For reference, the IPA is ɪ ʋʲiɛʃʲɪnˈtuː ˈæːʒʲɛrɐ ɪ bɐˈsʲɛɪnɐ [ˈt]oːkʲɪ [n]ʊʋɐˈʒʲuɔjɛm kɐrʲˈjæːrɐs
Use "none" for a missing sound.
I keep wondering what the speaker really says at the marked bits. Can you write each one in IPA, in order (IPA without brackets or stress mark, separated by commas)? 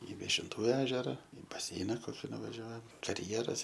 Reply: k, n